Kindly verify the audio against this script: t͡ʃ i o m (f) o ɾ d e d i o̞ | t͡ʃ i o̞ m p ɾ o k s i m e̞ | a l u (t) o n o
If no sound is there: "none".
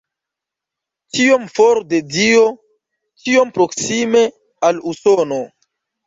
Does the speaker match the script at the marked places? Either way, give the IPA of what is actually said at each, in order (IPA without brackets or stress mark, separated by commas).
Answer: f, s